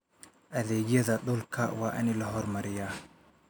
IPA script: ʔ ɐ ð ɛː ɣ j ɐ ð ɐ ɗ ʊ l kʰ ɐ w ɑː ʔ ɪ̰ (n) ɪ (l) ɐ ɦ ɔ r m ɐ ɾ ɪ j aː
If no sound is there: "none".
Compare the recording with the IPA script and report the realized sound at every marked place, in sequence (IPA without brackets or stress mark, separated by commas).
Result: n, l